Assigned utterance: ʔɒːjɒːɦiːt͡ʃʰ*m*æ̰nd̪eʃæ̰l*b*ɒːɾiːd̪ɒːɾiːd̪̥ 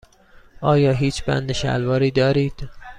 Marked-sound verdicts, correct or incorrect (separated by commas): incorrect, incorrect